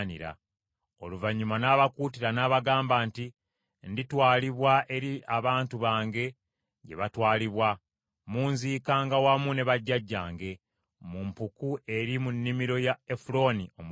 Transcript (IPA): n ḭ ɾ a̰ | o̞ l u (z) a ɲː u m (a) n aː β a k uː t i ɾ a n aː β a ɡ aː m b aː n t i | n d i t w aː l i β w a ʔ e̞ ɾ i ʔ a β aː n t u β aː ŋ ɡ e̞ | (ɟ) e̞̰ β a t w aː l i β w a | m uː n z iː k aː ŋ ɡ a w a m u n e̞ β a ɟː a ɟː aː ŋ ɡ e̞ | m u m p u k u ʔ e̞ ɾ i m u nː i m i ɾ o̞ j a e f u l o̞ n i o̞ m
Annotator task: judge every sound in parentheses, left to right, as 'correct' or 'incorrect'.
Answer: incorrect, correct, correct

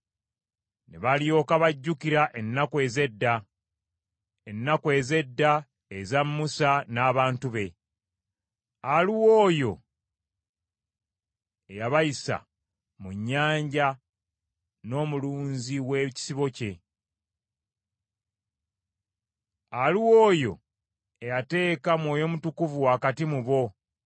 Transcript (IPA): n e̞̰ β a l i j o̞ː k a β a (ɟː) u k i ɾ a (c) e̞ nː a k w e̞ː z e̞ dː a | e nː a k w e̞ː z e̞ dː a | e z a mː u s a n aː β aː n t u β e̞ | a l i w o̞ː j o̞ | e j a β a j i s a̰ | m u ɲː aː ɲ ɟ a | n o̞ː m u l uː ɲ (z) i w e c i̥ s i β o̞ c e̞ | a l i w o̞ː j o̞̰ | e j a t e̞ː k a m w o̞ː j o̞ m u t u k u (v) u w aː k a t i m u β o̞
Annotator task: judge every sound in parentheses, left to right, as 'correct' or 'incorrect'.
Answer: correct, incorrect, correct, correct

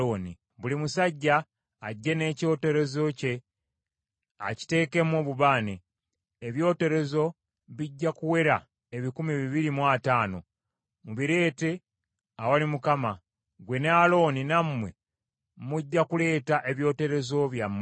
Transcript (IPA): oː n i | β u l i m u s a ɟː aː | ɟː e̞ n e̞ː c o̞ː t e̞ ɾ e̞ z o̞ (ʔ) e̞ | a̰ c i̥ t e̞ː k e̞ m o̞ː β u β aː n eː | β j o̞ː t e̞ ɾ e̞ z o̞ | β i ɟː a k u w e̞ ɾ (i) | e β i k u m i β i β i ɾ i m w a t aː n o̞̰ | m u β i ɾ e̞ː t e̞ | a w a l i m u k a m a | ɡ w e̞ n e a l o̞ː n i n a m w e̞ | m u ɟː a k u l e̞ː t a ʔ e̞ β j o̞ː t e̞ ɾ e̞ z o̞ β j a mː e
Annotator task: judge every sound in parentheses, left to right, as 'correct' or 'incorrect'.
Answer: incorrect, incorrect

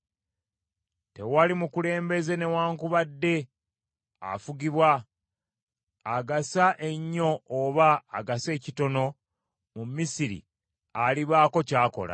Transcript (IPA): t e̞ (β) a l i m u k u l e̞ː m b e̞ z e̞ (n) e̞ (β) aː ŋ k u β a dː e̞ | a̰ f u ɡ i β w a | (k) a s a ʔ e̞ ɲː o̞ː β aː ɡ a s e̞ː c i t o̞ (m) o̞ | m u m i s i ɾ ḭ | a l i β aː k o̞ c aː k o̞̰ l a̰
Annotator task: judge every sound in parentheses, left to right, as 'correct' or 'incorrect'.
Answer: incorrect, correct, incorrect, incorrect, incorrect

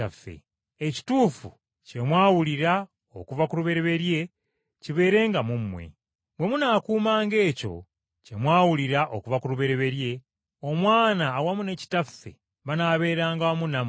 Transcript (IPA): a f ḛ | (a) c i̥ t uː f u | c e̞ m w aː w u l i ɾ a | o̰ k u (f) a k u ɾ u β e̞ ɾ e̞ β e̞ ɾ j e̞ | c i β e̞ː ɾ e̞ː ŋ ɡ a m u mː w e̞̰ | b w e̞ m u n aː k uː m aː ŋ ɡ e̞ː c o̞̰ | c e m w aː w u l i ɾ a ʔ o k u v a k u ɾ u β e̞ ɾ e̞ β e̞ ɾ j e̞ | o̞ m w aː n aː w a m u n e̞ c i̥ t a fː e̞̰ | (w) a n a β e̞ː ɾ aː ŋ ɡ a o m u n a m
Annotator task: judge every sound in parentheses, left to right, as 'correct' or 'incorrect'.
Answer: incorrect, incorrect, incorrect

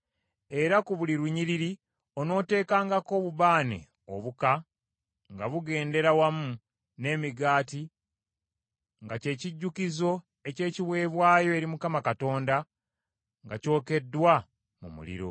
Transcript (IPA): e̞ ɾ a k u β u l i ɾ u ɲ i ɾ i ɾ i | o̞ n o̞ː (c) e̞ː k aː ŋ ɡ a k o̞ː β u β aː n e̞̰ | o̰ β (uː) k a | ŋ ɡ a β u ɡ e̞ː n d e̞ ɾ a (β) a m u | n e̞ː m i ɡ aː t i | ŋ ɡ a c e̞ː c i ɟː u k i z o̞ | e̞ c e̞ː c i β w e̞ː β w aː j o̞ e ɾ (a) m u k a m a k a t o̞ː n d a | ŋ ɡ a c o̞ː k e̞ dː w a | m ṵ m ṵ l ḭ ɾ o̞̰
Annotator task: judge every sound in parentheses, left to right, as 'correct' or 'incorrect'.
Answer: incorrect, incorrect, incorrect, incorrect

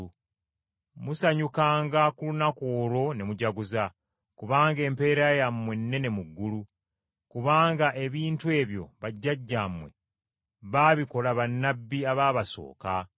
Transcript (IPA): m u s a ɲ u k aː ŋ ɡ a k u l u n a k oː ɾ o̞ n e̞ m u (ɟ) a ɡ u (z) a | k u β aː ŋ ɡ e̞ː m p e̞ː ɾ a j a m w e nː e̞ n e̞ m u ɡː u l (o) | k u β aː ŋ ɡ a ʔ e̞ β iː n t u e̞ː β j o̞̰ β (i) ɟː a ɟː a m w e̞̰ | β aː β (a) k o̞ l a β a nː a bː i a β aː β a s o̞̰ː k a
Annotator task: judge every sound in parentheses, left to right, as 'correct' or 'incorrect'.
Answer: correct, correct, incorrect, incorrect, incorrect

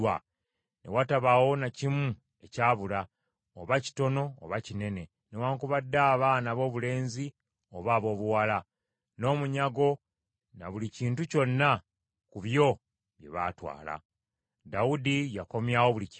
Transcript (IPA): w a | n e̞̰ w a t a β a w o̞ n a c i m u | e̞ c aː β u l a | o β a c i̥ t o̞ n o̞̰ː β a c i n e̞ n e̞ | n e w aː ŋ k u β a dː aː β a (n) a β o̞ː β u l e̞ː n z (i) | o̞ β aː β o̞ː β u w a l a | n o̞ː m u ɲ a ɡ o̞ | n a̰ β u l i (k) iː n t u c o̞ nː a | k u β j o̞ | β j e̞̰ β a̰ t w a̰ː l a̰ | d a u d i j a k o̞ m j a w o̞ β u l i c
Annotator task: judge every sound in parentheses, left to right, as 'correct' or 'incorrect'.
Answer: correct, correct, incorrect

